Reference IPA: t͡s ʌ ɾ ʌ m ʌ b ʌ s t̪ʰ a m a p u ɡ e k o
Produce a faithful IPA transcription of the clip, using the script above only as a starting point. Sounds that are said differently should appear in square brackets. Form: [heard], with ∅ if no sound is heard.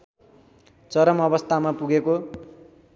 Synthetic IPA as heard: t͡s ʌ ɾ ʌ m ʌ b ʌ s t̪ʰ a m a p u ɡ e k o

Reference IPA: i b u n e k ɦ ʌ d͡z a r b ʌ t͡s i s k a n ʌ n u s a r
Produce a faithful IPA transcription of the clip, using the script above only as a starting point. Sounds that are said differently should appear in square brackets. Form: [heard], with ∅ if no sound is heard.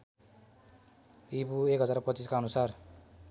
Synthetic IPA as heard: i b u [∅] e k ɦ ʌ d͡z a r [p] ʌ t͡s i s k a [∅] ʌ n u s a r

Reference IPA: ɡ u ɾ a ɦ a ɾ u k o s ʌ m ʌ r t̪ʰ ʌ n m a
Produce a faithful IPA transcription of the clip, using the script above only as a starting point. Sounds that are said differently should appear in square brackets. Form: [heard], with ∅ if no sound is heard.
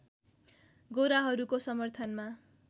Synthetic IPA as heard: ɡ [o] ɾ a ɦ [ʌ] ɾ u k o s ʌ m ʌ r t̪ʰ ʌ n m a

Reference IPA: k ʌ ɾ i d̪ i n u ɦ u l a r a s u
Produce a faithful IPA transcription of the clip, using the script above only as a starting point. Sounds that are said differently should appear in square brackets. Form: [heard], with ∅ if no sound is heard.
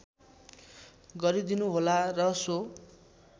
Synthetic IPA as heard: [ɡ] ʌ ɾ i d̪ i n u ɦ [o] l a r [ʌ] s [o]

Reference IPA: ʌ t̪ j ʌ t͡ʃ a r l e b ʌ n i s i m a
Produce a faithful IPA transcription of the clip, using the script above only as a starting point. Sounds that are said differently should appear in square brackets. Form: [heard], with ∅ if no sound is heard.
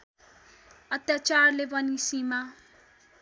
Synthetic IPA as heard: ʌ t̪ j [a] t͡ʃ a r l e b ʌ n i s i m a

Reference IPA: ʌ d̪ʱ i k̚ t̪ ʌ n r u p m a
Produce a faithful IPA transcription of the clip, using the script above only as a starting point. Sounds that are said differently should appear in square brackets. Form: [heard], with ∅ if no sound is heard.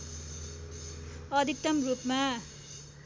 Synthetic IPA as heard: ʌ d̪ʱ i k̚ t̪ ʌ [m] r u p m a

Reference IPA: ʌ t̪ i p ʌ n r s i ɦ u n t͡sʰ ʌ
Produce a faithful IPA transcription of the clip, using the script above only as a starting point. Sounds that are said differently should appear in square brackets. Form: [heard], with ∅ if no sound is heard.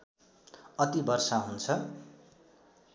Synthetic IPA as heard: ʌ t̪ i [b] ʌ [∅] r s [a] ɦ u n t͡sʰ ʌ

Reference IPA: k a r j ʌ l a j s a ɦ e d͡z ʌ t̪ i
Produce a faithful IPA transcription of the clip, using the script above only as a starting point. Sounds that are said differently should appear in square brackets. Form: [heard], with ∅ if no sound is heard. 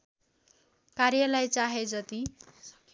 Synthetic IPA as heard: k a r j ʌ l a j [t͡s] a ɦ e d͡z ʌ t̪ i

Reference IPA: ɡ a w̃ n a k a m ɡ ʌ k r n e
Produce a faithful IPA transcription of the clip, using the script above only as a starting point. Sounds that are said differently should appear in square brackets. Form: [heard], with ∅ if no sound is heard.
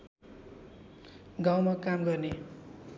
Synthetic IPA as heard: ɡ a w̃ [m] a k a m ɡ ʌ [∅] r n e

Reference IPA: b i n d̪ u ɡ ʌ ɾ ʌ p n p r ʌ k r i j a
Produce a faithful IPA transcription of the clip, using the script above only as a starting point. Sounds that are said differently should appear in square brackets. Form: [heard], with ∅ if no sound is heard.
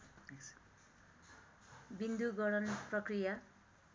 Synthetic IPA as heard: b i n d̪ u ɡ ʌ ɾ ʌ [∅] n p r ʌ k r i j a

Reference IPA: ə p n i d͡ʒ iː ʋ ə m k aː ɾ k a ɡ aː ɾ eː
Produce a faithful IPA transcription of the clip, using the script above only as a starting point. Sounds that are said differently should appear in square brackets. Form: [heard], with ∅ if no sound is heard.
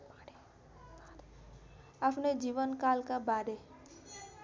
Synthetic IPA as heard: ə p n [e] d͡ʒ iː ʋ ə [n] k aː [l] k a [b] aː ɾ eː

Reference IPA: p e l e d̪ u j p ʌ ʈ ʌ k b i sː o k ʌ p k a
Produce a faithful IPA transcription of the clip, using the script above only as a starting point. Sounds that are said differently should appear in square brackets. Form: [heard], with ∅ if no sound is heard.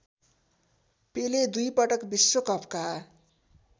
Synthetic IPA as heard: p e l e d̪ u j p ʌ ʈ ʌ k b i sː o k ʌ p k a

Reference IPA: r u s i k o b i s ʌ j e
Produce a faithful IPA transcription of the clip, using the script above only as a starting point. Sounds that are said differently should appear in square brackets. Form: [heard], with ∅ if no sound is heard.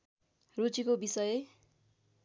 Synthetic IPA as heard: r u [t͡s] i k o b i s ʌ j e

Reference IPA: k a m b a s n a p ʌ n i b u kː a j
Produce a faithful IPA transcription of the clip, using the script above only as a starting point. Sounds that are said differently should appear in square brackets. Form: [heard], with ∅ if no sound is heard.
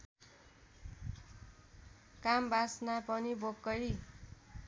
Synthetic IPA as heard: k a m b a s n a p ʌ n i b [o] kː [ʌ] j

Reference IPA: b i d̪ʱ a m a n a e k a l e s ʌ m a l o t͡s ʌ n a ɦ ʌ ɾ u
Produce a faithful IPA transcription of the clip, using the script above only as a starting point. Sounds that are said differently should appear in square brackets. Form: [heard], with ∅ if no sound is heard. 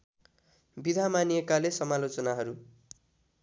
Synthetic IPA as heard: b i d̪ʱ a m a n [i] e k a l e s ʌ m a l o t͡s ʌ n a ɦ ʌ ɾ u

